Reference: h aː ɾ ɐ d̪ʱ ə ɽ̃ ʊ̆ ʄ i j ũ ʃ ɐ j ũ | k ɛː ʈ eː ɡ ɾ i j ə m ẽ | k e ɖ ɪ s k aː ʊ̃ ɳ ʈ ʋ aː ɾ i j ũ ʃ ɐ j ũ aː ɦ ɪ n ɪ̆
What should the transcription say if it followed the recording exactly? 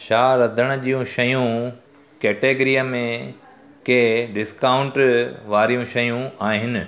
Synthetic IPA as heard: ʃ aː ɾ ɐ d̪ʱ ə ɽ̃ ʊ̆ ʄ i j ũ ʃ ɐ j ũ | k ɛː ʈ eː ɡ ɾ i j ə m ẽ | k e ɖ ɪ s k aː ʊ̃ ɳ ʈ ʋ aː ɾ i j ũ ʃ ɐ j ũ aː ɦ ɪ n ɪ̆